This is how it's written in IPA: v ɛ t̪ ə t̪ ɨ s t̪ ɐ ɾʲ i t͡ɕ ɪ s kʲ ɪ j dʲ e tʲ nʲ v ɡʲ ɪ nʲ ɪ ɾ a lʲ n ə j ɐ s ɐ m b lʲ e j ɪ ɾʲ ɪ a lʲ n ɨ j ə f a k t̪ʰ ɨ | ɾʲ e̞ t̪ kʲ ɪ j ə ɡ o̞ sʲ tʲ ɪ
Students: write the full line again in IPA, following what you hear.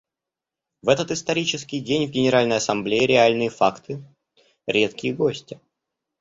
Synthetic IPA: v ɛ t̪ ə t̪ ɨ s t̪ ɐ ɾʲ i t͡ɕ ɪ s kʲ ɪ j dʲ e nʲ v ɡʲ ɪ nʲ ɪ ɾ a lʲ n ə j ɐ s ɐ m b lʲ e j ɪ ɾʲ ɪ a lʲ n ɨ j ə f a k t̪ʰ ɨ | ɾʲ e̞ t̪ kʲ ɪ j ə ɡ o̞ sʲ tʲ ɪ

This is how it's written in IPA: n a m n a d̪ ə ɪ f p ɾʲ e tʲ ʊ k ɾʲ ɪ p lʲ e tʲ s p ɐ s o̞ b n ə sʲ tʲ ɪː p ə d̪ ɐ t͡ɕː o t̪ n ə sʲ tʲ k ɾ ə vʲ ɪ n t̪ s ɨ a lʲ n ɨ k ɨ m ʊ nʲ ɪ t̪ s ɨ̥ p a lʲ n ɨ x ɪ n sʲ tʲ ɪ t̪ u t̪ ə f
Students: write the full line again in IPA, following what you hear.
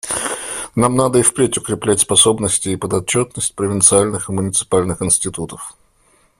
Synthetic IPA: n a m n a d̪ ə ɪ f p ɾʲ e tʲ ʊ k ɾʲ ɪ p lʲ æ tʲ s p ɐ s o̞ b n ə sʲ tʲ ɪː p ə d̪ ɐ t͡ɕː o t̪ n ə sʲ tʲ p ɾ ə vʲ ɪ n t̪ s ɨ a lʲ n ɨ x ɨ m ʊ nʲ ɪ t̪ s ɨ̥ p a lʲ n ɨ x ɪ n sʲ tʲ ɪ t̪ u t̪ ə f

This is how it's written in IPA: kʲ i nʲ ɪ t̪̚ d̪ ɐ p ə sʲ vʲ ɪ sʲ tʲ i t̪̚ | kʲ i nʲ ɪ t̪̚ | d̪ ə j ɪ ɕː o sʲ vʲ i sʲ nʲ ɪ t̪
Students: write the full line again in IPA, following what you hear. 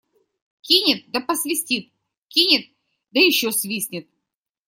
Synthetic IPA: kʲ i nʲ ɪ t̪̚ d̪ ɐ p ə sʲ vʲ ɪ sʲ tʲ i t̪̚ | kʲ i nʲ ɪ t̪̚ | d̪ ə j ɪ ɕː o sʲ vʲ i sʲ nʲ ɪ t̪

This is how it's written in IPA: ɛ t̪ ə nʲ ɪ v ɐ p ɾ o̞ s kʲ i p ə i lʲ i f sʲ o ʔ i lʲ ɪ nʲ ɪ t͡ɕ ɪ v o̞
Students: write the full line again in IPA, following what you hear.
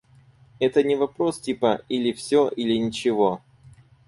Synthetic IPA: ɛ t̪ ə nʲ ɪ v ɐ p ɾ o̞ s tʲ i p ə i lʲ ɪ f sʲ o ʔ i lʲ ɪ nʲ ɪ t͡ɕ ɪ v o̞

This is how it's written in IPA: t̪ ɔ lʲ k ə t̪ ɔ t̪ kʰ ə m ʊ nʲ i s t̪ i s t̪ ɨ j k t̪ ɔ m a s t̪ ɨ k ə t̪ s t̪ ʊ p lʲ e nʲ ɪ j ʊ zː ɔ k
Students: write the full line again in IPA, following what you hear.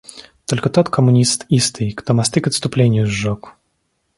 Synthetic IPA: t̪ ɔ lʲ k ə t̪ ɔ t̪ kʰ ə m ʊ nʲ i s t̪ i s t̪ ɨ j k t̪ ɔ m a s t̪ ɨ k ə t̪ s t̪ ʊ p lʲ e nʲ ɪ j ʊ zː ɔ k

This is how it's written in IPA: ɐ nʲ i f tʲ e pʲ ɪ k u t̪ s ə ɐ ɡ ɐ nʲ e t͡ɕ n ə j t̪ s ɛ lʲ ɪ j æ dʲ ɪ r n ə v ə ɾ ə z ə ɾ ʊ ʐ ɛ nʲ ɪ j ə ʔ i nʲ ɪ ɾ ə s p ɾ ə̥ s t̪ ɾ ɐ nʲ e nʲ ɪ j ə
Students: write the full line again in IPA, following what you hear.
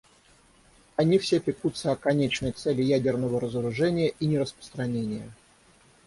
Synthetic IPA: ɐ nʲ i f sʲ e pʲ ɪ k u t̪ s ə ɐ k ɐ nʲ e t͡ɕ n ə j t̪ s ɛ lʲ ɪ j æ dʲ ɪ r n ə v ə ɾ ə z ə ɾ ʊ ʐ ɛ nʲ ɪ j ə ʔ i nʲ ɪ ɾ ə s p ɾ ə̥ s t̪ ɾ ɐ nʲ e nʲ ɪ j ə

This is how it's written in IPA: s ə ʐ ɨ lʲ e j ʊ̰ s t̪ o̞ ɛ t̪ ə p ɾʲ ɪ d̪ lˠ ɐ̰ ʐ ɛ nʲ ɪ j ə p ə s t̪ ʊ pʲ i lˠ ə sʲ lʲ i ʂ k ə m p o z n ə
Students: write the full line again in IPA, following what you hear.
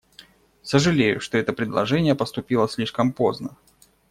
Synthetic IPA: s ə ʐ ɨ lʲ e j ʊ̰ ʂ t̪ o̞ ɛ t̪ ə p ɾʲ ɪ d̪ lˠ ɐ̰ ʐ ɛ nʲ ɪ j ə p ə s t̪ ʊ pʲ i lˠ ə sʲ lʲ i ʂ k ə m p o z n ə

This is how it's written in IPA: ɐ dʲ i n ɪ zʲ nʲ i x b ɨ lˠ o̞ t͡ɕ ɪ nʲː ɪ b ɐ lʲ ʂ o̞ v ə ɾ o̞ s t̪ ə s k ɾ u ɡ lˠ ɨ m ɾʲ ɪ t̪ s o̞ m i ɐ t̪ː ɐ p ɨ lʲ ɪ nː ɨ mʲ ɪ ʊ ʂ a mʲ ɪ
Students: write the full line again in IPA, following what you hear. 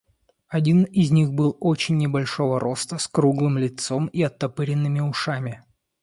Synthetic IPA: ɐ dʲ i n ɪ zʲ nʲ i x b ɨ lˠ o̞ t͡ɕ ɪ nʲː ɪ b ɐ lʲ ʂ o̞ v ə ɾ o̞ s t̪ ə s k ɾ u ɡ lˠ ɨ m lʲ ɪ t̪ s o̞ m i ɐ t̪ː ɐ p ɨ ɾʲ ɪ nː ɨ mʲ ɪ ʊ ʂ a mʲ ɪ

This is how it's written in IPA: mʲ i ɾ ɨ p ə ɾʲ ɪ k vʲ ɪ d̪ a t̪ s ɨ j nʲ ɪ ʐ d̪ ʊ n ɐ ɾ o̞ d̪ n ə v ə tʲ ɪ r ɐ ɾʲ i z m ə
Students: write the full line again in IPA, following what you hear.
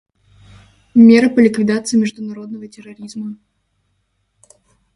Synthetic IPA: mʲ e ɾ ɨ p ə lʲ ɪ k vʲ ɪ d̪ a t̪ s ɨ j mʲ ɪ ʐ d̪ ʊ n ɐ ɾ o̞ d̪ n ə v ə tʲ ɪ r ɐ ɾʲ i z m ə

